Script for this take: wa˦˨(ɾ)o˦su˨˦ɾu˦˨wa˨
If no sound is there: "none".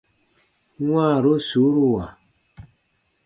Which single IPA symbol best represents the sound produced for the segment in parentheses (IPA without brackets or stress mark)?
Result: ɾ